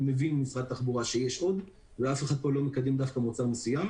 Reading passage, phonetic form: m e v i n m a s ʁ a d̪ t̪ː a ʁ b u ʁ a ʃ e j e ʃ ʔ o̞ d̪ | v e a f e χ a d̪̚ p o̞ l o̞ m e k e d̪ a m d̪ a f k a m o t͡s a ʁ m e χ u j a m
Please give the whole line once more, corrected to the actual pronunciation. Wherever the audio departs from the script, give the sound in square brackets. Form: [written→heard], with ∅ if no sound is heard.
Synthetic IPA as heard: m e v i n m [a→i] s ʁ a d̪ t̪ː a [ʁ→χ] b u ʁ a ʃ e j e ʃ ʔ o̞ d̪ | v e a f e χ a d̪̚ p o̞ l o̞ m e k [e→a] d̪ [a→e] m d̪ a f k a m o t͡s a ʁ m e [χ→s] u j a m